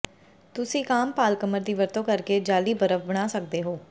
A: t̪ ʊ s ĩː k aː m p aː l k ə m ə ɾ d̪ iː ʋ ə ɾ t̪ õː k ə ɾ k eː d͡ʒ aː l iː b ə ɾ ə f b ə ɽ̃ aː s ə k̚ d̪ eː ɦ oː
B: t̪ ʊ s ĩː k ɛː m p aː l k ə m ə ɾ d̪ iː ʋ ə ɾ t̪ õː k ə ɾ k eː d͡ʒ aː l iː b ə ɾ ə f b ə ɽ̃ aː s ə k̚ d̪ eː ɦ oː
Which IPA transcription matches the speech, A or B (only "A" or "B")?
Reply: A